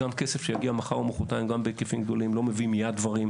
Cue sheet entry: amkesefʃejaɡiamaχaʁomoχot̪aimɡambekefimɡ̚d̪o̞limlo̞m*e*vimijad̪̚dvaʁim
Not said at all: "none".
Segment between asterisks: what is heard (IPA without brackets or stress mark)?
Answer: e